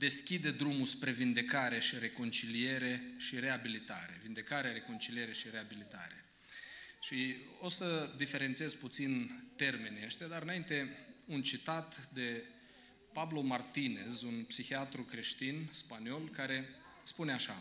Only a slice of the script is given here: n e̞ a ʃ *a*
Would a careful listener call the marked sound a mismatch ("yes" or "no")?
no